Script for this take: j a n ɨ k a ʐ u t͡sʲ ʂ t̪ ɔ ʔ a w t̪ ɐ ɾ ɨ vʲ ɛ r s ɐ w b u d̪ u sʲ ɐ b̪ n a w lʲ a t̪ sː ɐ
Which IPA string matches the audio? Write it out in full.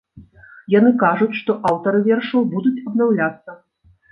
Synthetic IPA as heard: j a n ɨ k a ʐ u t͡sʲ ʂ t̪ ɔ ʔ a w t̪ ɐ ɾ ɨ vʲ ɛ r ʂ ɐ w b u d̪ u t͡sʲ ɐ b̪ n a w lʲ a t̪ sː ɐ